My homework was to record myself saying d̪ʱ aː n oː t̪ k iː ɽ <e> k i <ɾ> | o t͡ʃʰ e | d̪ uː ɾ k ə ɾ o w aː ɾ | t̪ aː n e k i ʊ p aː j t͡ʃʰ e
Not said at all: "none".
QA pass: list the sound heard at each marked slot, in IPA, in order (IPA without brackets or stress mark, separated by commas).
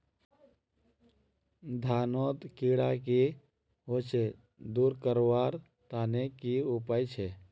a, none